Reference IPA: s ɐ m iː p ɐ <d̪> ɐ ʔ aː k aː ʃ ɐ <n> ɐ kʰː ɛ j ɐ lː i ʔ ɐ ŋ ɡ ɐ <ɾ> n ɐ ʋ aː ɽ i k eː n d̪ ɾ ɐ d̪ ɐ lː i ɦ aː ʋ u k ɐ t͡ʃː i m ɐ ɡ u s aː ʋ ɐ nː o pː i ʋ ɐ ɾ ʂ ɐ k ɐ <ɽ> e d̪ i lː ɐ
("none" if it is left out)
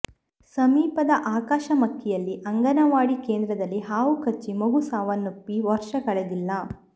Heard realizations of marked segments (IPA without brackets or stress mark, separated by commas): d̪, m, none, ɭ